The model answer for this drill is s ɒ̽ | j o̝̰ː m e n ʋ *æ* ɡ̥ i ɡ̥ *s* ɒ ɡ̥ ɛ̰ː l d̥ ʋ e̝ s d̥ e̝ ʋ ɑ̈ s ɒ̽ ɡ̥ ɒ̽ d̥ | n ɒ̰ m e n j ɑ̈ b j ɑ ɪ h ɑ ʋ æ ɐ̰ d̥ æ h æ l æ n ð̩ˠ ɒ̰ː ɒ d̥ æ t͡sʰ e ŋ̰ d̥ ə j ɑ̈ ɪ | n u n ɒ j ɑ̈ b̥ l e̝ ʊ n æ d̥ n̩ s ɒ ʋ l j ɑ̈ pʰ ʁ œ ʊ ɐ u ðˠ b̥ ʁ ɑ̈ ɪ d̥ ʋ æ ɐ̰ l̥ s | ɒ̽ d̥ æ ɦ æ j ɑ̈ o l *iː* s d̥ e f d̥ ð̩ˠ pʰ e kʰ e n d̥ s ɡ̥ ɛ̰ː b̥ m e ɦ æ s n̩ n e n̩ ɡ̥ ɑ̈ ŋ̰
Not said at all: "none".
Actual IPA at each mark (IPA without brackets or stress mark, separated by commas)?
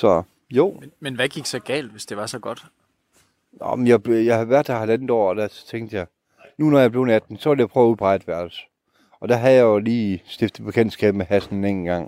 æ, s, iː